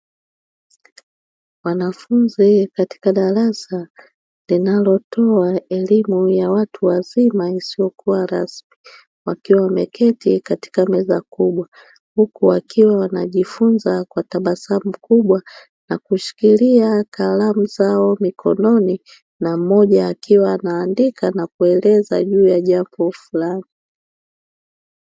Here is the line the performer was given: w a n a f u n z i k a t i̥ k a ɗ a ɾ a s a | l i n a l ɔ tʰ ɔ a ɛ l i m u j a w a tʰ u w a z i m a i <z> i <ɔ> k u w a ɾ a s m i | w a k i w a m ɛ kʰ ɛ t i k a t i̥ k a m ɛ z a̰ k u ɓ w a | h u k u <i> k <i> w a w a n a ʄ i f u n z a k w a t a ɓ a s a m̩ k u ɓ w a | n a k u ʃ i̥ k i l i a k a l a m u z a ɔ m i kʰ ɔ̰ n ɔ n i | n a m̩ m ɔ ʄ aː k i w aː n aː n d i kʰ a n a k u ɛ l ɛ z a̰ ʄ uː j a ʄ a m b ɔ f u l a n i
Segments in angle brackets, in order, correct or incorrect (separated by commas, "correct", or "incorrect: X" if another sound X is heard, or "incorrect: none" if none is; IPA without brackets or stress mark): incorrect: s, correct, incorrect: a, correct